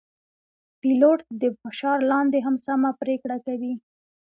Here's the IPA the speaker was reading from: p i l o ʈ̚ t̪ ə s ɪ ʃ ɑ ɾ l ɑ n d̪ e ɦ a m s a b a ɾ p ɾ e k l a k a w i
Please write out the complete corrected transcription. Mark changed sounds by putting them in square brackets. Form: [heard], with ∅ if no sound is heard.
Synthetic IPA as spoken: p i l o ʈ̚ [d̪] ə [f] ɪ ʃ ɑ ɾ l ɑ n d̪ e ɦ a m s a [m] a [∅] p ɾ e k [ɽ] a k a w i